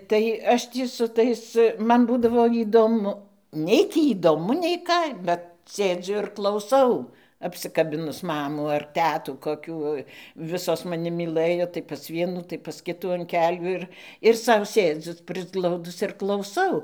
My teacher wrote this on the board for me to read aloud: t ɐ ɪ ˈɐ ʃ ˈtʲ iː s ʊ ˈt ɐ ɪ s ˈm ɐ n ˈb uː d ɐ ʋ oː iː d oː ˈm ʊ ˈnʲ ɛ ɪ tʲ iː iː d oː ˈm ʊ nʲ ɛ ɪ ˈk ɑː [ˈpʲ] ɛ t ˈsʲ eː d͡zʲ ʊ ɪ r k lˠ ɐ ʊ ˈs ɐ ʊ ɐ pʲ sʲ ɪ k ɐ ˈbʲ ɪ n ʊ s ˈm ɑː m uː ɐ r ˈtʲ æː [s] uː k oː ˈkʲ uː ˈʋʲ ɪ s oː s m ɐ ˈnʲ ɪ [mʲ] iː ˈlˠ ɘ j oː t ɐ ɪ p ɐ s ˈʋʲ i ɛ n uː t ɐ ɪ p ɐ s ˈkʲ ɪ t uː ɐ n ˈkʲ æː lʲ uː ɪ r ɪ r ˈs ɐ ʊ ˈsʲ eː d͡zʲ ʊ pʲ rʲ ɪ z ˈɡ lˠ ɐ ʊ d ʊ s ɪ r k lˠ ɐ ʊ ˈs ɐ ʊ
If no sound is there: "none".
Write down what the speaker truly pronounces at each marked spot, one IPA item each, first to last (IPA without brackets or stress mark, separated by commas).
bʲ, t, mʲ